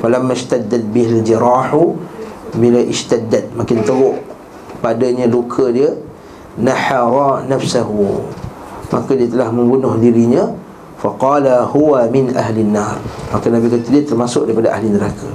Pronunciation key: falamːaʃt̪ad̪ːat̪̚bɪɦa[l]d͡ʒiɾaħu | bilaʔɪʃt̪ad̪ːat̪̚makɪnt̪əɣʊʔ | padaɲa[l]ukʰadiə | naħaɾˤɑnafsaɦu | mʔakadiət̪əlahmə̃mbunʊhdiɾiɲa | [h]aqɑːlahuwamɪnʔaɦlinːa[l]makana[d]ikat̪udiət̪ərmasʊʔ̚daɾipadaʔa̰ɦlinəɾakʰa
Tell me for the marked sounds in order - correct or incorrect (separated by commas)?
correct, correct, incorrect, incorrect, incorrect